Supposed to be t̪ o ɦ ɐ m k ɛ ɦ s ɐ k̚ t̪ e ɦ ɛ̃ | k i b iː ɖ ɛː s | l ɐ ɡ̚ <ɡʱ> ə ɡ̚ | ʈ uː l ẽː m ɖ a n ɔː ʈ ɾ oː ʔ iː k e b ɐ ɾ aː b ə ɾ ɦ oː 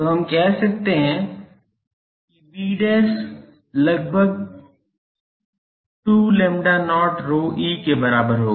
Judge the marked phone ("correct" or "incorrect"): incorrect